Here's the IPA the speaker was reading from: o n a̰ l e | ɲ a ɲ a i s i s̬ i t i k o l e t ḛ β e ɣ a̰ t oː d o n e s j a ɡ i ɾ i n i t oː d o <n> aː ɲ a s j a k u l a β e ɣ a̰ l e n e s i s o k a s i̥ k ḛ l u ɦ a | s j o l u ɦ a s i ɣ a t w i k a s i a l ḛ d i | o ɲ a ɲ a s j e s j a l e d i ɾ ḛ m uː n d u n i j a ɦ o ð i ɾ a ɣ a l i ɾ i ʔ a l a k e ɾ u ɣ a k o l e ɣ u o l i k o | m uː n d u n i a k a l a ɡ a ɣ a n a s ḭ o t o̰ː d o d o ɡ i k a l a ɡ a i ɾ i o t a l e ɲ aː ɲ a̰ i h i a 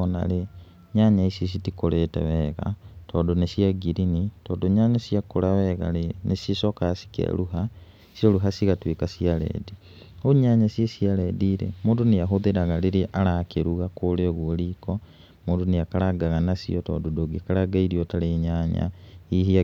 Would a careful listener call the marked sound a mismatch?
yes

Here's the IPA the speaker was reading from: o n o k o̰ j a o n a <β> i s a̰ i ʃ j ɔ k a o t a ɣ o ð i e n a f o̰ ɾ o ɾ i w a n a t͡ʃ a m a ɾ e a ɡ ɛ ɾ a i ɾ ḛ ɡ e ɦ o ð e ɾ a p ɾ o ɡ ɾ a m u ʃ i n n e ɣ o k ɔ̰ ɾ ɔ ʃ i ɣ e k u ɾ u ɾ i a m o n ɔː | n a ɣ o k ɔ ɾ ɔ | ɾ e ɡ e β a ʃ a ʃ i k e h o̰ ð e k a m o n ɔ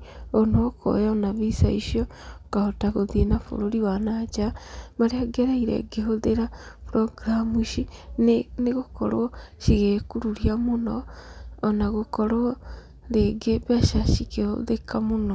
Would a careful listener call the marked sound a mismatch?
no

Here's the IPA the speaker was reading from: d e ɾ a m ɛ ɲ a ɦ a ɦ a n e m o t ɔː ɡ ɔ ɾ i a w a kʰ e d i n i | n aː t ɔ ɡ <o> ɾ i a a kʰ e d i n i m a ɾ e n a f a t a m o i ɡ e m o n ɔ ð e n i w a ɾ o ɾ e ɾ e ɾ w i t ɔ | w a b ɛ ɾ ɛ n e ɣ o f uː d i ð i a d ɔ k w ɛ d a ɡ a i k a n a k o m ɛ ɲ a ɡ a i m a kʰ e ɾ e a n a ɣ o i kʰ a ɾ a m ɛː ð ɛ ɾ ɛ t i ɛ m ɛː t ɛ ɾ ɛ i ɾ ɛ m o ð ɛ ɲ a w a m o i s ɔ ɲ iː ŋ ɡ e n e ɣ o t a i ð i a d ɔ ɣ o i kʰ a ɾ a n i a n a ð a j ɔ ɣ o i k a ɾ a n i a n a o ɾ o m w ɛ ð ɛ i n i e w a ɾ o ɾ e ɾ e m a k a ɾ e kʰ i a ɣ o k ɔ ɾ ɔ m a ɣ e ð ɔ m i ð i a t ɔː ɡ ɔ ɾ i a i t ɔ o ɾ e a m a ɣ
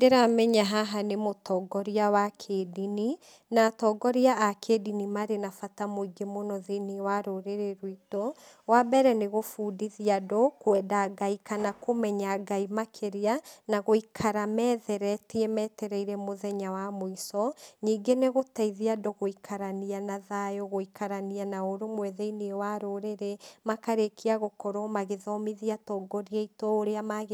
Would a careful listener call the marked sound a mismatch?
yes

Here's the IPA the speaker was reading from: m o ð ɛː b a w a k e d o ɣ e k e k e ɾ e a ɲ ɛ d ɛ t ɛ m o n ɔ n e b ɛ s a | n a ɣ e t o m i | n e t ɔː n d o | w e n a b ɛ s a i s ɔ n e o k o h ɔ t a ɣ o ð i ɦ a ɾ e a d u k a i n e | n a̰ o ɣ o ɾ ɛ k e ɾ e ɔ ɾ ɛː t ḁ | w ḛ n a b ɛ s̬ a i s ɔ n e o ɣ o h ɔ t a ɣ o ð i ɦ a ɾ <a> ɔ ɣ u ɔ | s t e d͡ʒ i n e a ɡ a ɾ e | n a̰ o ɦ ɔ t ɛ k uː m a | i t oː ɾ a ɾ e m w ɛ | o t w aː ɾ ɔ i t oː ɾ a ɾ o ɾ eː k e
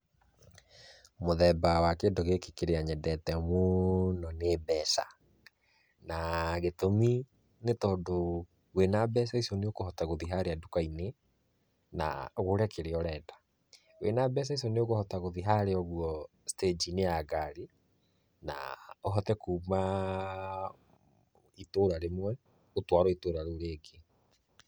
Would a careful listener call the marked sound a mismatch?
yes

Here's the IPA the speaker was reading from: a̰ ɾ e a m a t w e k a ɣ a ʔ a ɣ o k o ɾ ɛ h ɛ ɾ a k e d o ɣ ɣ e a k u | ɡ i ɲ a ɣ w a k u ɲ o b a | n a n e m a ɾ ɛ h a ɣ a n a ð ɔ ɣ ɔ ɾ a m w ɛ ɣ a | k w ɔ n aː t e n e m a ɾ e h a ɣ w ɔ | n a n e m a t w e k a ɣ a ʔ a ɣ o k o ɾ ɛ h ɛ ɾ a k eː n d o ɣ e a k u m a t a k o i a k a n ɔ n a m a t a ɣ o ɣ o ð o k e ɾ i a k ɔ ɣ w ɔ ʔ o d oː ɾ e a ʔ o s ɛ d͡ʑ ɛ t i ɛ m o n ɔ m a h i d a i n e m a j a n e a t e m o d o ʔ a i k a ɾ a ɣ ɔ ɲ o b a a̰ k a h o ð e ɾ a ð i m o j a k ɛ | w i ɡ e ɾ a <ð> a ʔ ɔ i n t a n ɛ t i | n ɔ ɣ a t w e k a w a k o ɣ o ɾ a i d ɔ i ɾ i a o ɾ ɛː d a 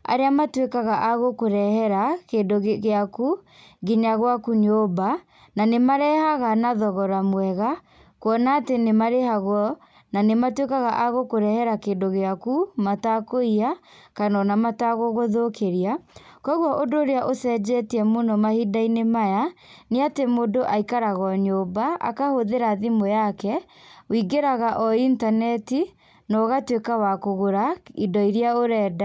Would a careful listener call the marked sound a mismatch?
yes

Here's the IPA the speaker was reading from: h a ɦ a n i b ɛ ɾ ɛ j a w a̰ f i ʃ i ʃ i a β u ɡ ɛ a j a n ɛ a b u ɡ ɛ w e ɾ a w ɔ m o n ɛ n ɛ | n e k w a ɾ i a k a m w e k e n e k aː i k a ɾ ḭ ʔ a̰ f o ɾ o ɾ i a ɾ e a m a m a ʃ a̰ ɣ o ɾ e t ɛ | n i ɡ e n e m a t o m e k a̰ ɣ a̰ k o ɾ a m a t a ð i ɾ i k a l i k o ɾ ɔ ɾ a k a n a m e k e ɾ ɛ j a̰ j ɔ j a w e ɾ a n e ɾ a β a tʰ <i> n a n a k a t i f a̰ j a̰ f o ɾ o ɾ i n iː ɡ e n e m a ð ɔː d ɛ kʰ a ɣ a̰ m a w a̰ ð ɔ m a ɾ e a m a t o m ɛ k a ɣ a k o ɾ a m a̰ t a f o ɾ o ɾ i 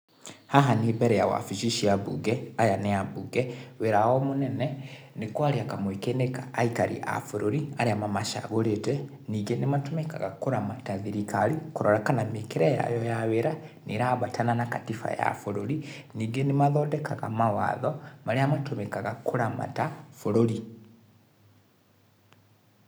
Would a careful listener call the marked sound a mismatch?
yes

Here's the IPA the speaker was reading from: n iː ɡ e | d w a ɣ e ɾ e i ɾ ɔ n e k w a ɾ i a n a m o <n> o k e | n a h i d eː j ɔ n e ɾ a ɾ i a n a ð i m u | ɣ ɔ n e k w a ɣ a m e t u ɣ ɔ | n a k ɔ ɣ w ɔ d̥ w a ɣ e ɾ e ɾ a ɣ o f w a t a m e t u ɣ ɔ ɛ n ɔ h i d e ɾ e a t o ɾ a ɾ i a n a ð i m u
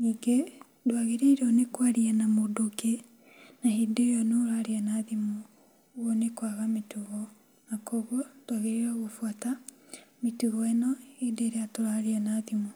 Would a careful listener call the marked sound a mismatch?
yes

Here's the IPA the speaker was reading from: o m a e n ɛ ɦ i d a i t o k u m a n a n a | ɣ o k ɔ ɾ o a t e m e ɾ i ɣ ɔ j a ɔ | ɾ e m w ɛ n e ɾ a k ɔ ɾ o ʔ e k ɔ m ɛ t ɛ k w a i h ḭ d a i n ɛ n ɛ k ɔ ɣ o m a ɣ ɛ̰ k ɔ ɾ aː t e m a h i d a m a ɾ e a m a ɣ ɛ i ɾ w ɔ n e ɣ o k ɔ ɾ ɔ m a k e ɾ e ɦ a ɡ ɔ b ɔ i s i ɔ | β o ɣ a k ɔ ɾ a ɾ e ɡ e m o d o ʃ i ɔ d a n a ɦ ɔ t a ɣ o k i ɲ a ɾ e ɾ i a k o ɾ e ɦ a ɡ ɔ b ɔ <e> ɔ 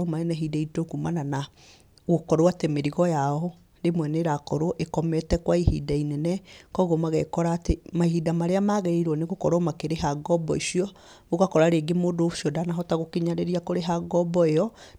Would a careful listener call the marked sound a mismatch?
no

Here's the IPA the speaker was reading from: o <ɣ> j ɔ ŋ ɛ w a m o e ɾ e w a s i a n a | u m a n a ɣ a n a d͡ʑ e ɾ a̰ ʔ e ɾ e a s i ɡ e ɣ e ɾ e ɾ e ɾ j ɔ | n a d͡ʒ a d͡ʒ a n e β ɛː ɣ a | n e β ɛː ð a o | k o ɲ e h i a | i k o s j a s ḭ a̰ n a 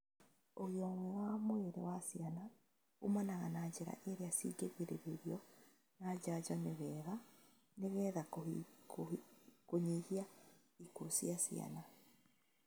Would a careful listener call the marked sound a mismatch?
no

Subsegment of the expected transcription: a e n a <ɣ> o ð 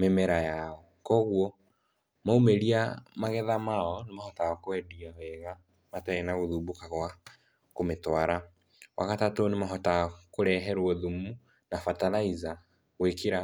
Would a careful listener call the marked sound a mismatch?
no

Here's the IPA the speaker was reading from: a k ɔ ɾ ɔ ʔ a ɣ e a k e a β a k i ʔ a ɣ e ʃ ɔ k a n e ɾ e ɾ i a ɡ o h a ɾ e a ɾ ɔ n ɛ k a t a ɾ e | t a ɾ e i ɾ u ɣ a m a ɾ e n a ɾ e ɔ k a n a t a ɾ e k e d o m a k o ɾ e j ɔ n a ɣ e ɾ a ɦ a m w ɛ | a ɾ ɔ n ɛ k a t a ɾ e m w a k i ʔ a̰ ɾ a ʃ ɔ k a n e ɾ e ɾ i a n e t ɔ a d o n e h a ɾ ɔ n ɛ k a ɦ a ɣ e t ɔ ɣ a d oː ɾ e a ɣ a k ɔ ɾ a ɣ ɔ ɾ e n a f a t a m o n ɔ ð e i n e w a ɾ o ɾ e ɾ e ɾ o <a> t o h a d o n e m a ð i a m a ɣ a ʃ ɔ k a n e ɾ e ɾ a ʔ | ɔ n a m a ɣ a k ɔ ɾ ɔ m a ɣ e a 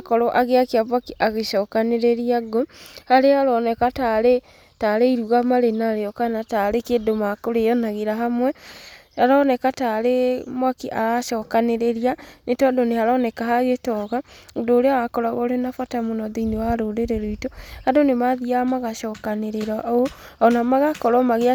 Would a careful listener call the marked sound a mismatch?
yes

